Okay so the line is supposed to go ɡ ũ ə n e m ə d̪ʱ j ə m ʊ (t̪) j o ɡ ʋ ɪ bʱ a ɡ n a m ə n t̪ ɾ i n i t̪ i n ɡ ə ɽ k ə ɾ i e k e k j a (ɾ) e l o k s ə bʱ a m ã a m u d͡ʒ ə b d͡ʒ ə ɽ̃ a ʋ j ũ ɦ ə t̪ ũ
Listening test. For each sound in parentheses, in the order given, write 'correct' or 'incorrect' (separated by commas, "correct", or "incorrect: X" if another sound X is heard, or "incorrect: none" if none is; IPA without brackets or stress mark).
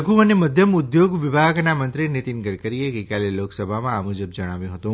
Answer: incorrect: d̪, incorrect: l